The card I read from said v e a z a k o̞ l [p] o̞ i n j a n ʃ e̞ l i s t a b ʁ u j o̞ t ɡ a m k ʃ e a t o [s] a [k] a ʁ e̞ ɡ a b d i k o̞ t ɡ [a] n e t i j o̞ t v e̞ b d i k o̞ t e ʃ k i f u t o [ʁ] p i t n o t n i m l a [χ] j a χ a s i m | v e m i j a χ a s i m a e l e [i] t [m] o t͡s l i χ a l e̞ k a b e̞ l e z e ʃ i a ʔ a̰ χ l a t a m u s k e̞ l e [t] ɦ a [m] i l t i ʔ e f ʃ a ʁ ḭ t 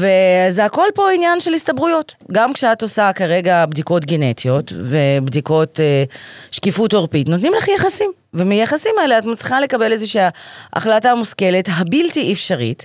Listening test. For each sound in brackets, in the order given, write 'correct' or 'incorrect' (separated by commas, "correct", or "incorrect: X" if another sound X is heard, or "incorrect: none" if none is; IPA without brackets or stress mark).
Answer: correct, correct, correct, incorrect: e, correct, correct, incorrect: a, correct, correct, incorrect: b